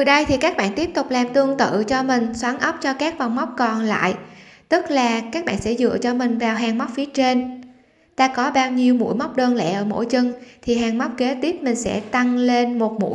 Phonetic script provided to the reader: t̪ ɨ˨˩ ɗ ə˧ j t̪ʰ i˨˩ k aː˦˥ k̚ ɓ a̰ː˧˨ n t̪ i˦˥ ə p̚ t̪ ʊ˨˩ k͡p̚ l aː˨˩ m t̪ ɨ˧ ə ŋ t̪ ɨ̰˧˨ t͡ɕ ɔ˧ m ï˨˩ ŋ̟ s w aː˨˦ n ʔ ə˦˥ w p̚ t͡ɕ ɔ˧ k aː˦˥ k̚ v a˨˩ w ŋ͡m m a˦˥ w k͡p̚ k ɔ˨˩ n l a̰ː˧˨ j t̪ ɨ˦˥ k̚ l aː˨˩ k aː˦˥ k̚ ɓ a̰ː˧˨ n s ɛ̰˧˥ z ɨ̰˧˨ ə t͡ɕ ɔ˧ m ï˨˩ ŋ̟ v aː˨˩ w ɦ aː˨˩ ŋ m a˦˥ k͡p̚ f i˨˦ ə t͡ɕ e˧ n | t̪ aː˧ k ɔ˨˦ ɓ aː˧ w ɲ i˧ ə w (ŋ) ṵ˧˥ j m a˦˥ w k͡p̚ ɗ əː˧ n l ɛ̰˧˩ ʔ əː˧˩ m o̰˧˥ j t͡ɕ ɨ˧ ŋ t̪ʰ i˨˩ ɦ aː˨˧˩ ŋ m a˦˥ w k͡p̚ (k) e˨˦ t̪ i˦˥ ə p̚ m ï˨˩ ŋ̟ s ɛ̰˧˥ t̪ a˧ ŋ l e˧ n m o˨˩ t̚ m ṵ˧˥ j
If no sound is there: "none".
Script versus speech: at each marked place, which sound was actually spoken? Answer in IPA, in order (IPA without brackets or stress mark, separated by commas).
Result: m, k